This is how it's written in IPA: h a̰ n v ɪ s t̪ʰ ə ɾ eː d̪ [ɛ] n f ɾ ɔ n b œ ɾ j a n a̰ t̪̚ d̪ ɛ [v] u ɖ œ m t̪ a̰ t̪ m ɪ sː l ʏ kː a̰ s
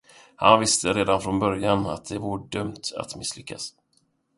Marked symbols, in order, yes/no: no, yes

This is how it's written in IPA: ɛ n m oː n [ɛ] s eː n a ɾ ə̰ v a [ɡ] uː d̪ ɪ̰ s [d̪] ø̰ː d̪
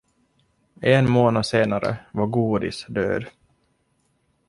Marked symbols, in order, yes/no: no, yes, yes

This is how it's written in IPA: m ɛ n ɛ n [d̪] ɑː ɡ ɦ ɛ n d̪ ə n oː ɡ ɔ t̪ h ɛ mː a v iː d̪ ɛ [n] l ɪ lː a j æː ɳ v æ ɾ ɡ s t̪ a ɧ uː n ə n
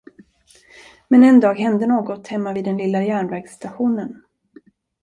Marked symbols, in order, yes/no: yes, yes

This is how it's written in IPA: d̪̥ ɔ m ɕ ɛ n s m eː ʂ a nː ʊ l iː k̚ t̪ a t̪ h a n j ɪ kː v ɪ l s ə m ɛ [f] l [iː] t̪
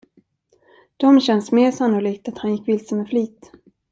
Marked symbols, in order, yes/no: yes, yes

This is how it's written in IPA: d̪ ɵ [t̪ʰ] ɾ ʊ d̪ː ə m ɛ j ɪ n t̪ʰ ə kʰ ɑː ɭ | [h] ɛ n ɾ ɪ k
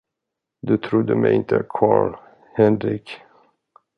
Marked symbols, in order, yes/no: yes, yes

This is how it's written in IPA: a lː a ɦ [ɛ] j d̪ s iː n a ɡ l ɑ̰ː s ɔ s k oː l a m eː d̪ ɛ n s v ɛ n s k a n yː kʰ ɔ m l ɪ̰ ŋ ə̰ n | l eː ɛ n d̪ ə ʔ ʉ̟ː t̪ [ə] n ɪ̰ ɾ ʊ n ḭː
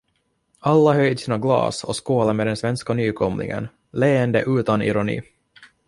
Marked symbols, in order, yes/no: no, no

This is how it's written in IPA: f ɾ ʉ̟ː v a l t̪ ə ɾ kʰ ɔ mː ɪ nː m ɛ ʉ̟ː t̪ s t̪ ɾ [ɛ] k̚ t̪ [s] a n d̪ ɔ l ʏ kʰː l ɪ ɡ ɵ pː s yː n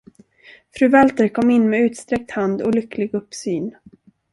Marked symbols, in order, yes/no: yes, no

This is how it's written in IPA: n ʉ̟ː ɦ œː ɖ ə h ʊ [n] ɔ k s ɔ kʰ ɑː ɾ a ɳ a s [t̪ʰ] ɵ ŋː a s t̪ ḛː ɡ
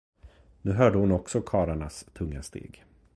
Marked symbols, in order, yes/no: yes, yes

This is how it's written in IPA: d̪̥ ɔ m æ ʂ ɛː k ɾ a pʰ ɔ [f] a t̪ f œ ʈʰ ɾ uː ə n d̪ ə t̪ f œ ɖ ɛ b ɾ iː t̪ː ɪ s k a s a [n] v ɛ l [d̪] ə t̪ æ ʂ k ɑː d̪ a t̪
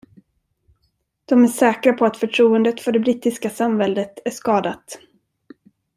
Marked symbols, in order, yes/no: no, no, yes

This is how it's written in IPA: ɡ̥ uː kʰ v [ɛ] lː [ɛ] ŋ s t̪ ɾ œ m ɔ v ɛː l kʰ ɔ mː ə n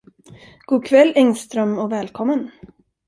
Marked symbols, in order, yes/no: yes, yes

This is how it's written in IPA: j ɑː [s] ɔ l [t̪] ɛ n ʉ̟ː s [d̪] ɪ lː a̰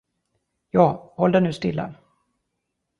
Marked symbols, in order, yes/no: no, no, no

